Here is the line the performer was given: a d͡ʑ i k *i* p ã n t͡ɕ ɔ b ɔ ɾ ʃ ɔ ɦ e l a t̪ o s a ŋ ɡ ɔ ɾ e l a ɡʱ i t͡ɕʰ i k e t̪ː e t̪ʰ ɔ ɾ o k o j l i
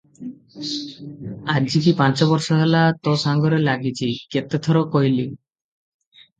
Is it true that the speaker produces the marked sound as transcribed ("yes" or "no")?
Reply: yes